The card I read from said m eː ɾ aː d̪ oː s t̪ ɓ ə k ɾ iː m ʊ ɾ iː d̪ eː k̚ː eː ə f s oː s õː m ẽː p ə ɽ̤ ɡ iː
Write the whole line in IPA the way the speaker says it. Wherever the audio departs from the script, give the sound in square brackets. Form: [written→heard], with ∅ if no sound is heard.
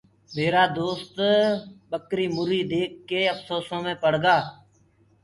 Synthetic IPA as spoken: m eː ɾ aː d̪ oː s t̪ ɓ ə k ɾ iː m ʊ ɾ iː d̪ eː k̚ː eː ə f s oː s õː m ẽː p ə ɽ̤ ɡ [iː→aː]

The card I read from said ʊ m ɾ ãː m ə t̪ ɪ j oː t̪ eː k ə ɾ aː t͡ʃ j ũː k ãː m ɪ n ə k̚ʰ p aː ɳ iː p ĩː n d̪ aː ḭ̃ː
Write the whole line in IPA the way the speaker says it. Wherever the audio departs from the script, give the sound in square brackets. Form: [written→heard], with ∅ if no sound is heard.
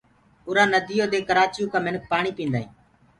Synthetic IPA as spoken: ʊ [m→∅] ɾ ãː [m→n] ə [t̪→d̪] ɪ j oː [t̪→d̪] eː k ə ɾ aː t͡ʃ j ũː k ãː m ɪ n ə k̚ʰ p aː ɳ iː p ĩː n d̪ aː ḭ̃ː

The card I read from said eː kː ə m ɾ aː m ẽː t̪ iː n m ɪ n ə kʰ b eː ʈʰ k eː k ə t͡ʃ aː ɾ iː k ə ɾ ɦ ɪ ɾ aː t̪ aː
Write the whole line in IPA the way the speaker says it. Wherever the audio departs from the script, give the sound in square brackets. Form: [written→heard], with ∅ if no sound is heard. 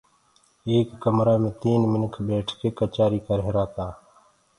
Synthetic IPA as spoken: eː kː ə m ɾ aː m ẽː t̪ iː n m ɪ n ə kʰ b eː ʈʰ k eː k ə t͡ʃ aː ɾ iː k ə ɾ ɦ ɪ ɾ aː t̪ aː

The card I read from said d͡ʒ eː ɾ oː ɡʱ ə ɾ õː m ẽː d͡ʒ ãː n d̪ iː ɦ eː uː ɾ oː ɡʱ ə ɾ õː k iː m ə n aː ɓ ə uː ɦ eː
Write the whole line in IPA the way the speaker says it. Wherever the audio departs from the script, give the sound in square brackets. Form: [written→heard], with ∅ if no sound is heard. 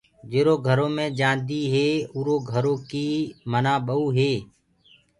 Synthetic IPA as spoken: d͡ʒ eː ɾ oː ɡʱ ə ɾ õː m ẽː d͡ʒ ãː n d̪ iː ɦ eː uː ɾ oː ɡʱ ə ɾ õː k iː m ə n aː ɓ ə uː ɦ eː

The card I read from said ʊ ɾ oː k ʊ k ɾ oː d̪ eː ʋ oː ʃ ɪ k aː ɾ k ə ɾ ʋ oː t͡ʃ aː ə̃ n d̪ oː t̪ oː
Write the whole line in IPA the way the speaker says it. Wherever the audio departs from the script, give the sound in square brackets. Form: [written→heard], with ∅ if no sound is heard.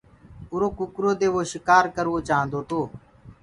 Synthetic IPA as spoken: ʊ ɾ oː k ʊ k ɾ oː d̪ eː ʋ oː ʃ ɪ k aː ɾ k ə ɾ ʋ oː t͡ʃ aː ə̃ n d̪ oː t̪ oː

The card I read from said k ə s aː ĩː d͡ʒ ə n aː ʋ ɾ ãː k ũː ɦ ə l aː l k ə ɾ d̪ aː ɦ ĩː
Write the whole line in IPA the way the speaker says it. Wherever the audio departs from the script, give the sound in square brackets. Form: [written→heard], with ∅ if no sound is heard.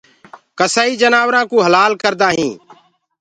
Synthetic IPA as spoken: k ə s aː [ĩː→iː] d͡ʒ ə n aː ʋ ɾ ãː k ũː ɦ ə l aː l k ə ɾ d̪ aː ɦ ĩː

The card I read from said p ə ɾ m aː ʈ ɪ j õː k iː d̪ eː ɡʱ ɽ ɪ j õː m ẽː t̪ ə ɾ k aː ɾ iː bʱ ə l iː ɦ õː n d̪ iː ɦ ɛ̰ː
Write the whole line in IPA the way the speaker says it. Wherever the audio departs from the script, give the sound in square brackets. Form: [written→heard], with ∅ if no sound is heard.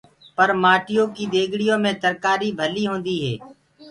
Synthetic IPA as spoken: p ə ɾ m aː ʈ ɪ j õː k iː d̪ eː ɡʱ ɽ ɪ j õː m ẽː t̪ ə ɾ k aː ɾ iː bʱ ə l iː ɦ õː n d̪ iː ɦ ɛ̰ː

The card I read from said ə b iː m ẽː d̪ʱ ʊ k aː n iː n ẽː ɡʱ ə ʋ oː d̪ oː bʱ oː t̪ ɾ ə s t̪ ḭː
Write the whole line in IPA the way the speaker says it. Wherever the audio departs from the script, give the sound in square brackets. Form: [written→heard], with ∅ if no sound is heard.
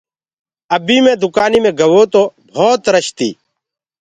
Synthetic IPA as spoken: ə b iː m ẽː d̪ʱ ʊ k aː n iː [n→m] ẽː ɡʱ ə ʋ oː [d̪→t̪] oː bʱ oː t̪ ɾ ə [s→ʃ] t̪ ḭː

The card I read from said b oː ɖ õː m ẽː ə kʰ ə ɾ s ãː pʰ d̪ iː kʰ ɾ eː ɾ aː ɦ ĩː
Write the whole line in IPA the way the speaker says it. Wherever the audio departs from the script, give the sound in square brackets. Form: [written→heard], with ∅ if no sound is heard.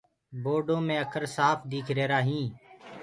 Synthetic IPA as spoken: b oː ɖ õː m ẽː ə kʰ ə ɾ s [ãː→aː] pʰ d̪ iː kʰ ɾ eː ɾ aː ɦ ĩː

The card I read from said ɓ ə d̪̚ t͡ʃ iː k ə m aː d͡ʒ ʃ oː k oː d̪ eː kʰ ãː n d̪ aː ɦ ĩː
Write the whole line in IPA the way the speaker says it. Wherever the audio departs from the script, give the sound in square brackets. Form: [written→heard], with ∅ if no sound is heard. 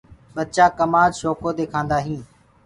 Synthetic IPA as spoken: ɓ ə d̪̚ t͡ʃ [iː→aː] k ə m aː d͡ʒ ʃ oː k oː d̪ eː kʰ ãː n d̪ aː ɦ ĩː

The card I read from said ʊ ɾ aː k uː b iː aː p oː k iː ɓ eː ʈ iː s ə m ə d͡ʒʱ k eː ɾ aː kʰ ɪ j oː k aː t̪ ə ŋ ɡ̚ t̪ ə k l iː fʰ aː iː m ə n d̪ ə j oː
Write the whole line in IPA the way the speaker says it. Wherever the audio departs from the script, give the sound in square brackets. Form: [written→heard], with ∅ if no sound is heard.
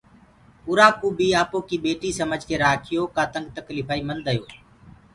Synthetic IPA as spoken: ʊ ɾ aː k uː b iː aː p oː k iː ɓ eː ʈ iː s ə m ə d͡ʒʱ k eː ɾ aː kʰ ɪ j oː k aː t̪ ə ŋ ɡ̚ t̪ ə k l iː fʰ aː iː m ə n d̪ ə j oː

